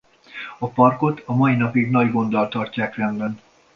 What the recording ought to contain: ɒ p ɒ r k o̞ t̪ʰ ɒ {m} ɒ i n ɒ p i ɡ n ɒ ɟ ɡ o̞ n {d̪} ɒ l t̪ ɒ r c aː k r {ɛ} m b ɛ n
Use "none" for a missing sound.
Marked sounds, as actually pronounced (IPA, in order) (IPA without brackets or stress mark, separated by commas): m, d̪, ɛ